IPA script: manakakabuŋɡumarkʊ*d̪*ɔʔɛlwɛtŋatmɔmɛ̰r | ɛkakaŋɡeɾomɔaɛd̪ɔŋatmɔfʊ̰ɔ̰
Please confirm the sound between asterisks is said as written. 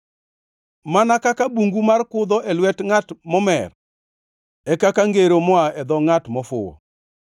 yes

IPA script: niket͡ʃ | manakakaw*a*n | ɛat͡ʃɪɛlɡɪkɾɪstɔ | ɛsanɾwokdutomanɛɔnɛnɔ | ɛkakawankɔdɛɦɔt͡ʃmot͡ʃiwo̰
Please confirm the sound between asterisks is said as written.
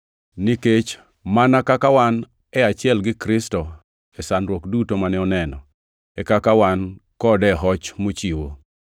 yes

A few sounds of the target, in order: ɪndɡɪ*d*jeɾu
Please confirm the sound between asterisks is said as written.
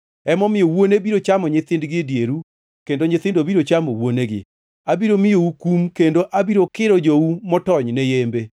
yes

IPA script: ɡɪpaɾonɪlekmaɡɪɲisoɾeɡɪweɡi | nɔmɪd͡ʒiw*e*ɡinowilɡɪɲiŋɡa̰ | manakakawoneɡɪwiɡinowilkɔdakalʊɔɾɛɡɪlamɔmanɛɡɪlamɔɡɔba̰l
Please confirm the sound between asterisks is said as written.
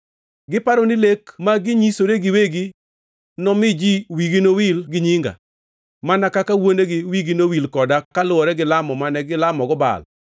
no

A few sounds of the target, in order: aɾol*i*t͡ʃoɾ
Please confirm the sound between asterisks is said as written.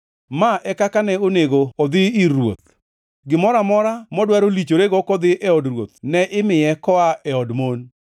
yes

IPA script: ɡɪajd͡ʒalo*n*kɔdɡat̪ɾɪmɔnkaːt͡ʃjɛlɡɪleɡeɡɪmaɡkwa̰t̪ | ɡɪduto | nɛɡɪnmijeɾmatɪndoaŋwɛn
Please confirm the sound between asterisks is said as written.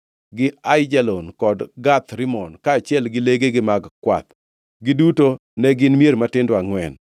yes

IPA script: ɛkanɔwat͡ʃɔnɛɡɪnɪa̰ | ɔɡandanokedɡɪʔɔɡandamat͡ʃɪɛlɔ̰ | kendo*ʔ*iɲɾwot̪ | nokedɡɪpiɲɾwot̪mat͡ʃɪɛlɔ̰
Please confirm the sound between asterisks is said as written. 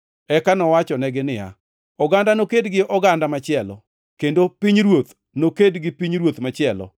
no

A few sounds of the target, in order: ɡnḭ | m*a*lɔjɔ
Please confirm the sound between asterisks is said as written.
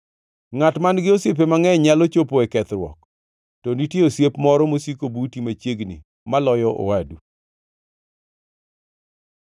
yes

